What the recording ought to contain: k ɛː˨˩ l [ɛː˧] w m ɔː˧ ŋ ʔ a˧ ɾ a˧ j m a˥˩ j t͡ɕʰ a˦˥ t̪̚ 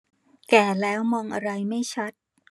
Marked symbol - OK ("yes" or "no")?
no